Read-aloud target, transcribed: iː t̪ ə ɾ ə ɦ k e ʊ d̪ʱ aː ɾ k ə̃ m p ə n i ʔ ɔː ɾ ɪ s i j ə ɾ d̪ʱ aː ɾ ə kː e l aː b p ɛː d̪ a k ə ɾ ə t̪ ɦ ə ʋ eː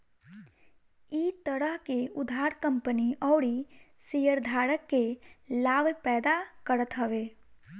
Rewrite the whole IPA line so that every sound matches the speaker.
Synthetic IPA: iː t̪ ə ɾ ə ɦ k e ʊ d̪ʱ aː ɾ k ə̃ m p ə n i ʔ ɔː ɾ i s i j ə ɾ d̪ʱ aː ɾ ə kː e l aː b p ɛː d̪ a k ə ɾ ə t̪ ɦ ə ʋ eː